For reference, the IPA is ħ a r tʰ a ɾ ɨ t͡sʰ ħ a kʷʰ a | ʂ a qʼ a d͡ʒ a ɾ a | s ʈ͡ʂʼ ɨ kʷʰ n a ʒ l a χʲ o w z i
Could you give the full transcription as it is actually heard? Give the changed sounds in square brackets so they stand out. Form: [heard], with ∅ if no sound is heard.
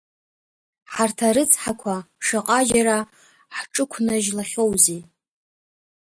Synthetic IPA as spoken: ħ a r tʰ a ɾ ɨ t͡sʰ ħ a kʷʰ a | ʂ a qʼ a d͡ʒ a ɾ a | [ħ] ʈ͡ʂʼ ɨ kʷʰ n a ʒ l a χʲ o w z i